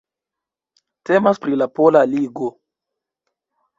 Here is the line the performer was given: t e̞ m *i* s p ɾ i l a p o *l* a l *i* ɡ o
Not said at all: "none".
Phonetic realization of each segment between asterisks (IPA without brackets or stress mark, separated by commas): a, l, i